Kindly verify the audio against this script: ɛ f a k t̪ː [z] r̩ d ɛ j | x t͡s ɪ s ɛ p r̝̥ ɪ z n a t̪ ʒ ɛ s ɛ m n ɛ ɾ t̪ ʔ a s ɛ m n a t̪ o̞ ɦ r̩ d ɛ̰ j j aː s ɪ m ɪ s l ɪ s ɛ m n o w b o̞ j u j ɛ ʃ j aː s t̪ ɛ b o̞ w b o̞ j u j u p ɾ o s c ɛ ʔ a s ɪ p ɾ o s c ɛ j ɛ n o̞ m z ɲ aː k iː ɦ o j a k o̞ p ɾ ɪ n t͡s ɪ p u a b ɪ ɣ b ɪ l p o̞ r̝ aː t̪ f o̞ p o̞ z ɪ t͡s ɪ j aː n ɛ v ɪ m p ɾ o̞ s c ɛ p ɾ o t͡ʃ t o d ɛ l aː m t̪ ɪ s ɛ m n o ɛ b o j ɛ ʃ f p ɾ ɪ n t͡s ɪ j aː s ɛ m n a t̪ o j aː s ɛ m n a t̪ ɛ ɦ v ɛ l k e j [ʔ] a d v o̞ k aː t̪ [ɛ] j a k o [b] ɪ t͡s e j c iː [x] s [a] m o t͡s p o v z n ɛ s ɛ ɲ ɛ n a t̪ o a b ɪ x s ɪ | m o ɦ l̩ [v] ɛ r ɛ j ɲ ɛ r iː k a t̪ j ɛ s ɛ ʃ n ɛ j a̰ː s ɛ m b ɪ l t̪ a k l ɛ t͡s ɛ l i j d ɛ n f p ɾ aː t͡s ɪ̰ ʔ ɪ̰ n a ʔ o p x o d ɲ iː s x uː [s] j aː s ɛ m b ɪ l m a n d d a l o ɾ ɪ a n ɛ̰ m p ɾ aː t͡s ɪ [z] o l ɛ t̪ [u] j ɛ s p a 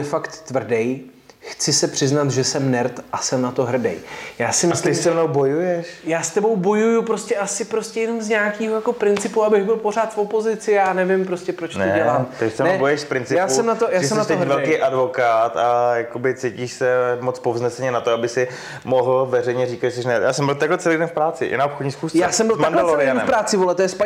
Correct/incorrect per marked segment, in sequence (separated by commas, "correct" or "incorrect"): incorrect, correct, incorrect, correct, incorrect, incorrect, correct, correct, incorrect, incorrect